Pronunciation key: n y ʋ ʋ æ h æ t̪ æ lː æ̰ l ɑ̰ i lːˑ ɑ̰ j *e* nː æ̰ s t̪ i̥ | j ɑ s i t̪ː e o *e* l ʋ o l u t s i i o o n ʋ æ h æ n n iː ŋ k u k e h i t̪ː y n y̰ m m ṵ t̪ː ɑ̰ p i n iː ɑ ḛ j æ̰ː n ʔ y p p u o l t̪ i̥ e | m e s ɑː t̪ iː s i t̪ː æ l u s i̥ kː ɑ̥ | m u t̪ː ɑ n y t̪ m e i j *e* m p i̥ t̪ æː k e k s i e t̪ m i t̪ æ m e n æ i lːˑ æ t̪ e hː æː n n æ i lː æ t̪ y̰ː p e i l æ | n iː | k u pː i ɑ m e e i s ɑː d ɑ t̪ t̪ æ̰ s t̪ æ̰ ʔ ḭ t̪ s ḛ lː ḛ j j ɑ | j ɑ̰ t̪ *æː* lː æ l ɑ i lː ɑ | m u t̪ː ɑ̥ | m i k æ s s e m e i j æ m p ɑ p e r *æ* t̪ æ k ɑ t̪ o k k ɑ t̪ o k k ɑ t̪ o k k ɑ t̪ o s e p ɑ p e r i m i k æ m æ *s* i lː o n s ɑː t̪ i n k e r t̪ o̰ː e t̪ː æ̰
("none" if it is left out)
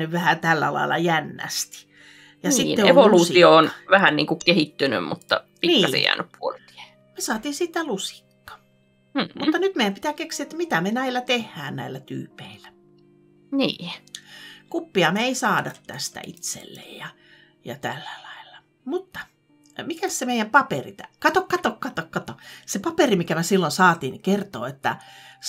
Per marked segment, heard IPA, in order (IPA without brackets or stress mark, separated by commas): æ, e, æ, æ, i, s